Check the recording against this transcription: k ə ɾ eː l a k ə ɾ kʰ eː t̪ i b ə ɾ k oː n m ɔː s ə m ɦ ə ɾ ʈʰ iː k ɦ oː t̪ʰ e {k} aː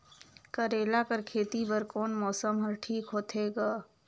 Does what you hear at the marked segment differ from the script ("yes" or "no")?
yes